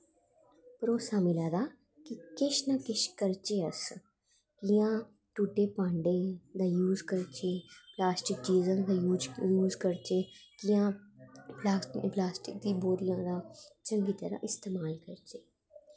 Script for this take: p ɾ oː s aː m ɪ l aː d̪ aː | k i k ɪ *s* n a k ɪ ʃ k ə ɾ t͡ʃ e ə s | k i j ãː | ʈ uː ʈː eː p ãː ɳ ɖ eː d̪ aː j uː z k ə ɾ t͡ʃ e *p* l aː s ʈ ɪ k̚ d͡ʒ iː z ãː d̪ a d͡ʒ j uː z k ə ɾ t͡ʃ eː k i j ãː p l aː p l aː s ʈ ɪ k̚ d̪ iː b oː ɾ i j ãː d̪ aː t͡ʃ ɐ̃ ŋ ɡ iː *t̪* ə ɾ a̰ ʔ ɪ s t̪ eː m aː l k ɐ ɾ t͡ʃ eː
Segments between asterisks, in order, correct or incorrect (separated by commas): incorrect, correct, correct